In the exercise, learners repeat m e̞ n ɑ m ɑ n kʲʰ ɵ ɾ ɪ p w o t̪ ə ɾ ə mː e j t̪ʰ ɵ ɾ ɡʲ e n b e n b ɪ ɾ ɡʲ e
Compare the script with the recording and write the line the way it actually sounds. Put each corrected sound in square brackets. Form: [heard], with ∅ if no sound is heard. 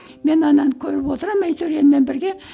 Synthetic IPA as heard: m e̞ n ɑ [n] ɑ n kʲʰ ɵ ɾ ɪ p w o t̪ ə ɾ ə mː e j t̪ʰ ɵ ɾ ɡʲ e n [m] e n b ɪ ɾ ɡʲ e